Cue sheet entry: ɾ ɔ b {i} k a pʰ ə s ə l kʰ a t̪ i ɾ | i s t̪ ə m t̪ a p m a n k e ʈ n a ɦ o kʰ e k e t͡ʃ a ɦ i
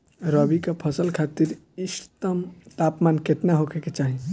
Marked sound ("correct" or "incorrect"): correct